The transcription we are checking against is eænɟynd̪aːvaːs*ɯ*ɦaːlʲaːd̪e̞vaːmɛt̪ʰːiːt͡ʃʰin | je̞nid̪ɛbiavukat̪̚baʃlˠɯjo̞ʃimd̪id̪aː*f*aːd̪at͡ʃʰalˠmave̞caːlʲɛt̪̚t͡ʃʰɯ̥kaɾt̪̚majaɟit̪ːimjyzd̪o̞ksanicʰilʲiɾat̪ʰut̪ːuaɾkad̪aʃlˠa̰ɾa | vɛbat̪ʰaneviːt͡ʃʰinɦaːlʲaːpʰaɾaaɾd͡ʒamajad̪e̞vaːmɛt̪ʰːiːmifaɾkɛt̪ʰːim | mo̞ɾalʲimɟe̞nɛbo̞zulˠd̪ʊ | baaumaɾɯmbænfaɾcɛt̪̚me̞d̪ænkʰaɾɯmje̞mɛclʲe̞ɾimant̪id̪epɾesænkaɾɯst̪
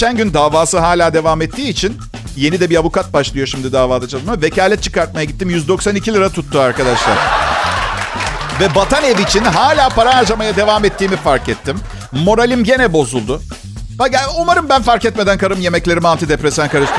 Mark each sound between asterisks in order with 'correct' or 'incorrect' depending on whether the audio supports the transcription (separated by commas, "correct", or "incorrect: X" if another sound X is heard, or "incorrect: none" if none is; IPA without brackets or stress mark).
correct, incorrect: v